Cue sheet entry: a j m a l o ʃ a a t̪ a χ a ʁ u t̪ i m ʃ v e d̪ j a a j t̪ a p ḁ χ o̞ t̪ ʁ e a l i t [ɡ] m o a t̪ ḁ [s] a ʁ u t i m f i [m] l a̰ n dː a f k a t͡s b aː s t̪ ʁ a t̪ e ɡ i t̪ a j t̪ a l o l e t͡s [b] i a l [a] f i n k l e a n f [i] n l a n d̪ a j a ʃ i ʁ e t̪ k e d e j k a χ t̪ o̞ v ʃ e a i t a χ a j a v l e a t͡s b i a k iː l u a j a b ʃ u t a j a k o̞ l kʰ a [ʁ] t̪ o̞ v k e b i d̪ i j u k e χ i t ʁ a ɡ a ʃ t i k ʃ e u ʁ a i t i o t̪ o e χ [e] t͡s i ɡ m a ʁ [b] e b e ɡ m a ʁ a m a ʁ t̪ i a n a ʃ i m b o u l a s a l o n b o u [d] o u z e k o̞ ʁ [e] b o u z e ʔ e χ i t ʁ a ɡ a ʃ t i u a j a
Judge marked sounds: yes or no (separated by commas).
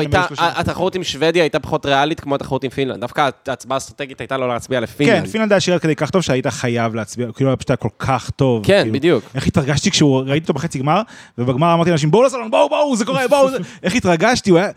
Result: no, no, no, yes, no, yes, no, yes, no, no, yes